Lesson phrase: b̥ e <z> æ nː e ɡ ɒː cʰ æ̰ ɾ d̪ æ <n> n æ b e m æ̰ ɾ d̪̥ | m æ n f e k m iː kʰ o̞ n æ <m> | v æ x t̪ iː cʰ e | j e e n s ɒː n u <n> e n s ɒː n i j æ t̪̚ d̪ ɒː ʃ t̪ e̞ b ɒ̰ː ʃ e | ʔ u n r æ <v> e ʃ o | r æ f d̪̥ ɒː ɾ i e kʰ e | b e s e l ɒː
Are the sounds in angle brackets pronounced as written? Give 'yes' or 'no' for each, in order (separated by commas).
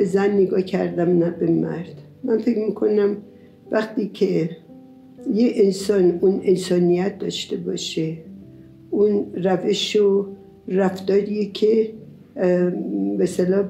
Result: yes, no, yes, yes, yes